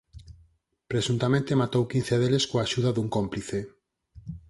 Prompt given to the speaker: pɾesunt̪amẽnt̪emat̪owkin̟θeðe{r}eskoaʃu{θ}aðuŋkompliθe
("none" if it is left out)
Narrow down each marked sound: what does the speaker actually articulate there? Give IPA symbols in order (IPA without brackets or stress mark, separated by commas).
l, ð